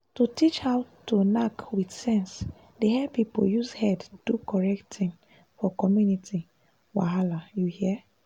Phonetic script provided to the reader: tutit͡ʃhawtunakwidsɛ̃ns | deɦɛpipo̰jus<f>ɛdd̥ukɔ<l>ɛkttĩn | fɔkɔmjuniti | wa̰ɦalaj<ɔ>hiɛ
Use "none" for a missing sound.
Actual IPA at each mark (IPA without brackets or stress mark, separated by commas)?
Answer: h, ɹ, u